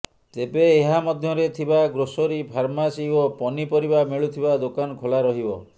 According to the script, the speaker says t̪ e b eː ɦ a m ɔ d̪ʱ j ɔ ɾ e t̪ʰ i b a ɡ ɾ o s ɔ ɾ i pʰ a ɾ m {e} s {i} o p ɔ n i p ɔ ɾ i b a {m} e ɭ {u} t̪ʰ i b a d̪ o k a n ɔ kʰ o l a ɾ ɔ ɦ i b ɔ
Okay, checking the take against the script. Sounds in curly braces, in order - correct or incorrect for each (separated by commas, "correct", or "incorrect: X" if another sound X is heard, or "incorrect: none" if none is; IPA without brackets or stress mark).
incorrect: a, correct, correct, correct